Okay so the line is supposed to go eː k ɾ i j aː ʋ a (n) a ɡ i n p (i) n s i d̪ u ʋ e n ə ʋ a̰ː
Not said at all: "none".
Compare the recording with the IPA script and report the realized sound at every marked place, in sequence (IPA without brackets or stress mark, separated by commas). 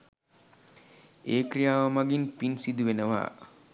m, i